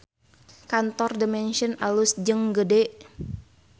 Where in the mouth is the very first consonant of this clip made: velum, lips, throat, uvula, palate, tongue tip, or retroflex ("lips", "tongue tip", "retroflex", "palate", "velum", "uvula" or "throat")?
velum